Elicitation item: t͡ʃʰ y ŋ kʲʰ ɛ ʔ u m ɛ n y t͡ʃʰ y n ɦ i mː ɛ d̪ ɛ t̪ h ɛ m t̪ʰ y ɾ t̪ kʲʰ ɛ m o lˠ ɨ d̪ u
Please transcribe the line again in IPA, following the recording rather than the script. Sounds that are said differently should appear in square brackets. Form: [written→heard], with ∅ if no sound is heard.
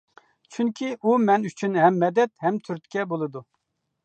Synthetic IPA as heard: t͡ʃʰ y ŋ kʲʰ [ɛ→i] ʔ u m ɛ n y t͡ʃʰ y n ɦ [i→ɛ] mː ɛ d̪ ɛ t̪ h ɛ m t̪ʰ y ɾ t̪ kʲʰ ɛ [m→b] o lˠ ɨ d̪ u